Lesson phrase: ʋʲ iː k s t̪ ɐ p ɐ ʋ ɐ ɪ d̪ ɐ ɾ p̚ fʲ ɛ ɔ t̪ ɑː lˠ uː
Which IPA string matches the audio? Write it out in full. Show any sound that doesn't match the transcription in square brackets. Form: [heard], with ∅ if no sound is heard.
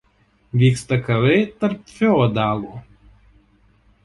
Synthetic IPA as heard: ʋʲ iː k s t̪ ɐ [k] ɐ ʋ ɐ ɪ [t̪] ɐ ɾ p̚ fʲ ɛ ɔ [d̪] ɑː lˠ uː